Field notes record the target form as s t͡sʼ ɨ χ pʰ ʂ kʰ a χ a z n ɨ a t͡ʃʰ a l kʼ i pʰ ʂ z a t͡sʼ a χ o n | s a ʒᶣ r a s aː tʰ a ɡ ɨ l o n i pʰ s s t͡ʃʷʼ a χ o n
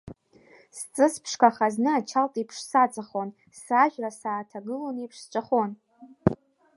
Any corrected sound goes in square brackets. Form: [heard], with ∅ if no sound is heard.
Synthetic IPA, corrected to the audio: s t͡sʼ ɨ [s] pʰ ʂ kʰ a χ a z n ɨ a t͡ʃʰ a l [tʼ] i pʰ ʂ [s] a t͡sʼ a χ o n | s a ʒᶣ r a s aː tʰ a ɡ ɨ l o n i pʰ [ʂ] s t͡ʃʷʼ a χ o n